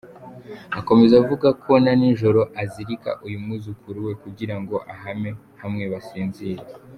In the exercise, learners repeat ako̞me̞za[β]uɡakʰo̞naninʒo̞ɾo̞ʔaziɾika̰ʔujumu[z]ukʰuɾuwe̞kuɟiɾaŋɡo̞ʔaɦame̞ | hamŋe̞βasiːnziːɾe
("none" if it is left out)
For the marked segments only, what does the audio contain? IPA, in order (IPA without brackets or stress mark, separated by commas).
v, z